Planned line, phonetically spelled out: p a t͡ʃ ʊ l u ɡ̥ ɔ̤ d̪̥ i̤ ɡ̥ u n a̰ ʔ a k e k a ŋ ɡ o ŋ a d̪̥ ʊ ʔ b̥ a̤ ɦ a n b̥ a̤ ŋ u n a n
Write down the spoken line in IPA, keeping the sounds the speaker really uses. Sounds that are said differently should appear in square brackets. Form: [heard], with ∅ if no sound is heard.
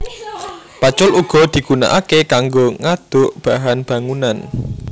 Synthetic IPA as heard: p a t͡ʃ ʊ l u ɡ̥ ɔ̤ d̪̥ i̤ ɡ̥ u n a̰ ʔ a k e k a ŋ ɡ o ŋ a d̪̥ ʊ ʔ b̥ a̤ ɦ a n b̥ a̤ ŋ u n a n